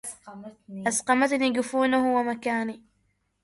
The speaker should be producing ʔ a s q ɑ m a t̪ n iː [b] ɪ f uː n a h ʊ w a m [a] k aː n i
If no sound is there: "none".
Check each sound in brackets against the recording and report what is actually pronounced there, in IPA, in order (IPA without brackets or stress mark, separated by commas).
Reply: ɡ, a